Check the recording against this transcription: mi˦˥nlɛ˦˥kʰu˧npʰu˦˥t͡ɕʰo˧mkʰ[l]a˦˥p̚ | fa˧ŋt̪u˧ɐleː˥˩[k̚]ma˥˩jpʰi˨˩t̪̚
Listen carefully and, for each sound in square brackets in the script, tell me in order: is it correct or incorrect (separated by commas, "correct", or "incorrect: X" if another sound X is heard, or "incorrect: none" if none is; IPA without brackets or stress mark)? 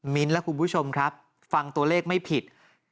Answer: incorrect: ɾ, correct